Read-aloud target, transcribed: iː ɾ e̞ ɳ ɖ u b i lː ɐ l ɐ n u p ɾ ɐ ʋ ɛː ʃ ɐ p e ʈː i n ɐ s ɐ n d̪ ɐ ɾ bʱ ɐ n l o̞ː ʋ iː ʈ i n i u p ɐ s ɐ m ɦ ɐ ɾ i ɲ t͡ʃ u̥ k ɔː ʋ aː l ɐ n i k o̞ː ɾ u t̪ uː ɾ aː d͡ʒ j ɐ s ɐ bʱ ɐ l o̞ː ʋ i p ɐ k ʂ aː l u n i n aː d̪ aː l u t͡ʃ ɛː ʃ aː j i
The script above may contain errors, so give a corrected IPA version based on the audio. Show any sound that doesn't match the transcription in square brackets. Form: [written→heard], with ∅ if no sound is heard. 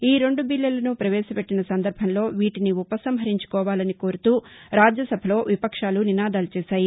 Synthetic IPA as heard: iː ɾ e̞ ɳ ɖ u b i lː ɐ l ɐ n u p ɾ ɐ ʋ ɛː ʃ ɐ p e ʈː i n ɐ s ɐ n d̪ ɐ ɾ bʱ ɐ n l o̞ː ʋ iː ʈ i n i u p ɐ s ɐ m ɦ ɐ ɾ i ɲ t͡ʃ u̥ k ɔː ʋ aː l ɐ n i k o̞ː ɾ u t̪ uː ɾ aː d͡ʒ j ɐ s ɐ bʱ ɐ l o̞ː ʋ i p ɐ k ʂ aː l u n i n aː d̪ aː l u t͡ʃ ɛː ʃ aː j i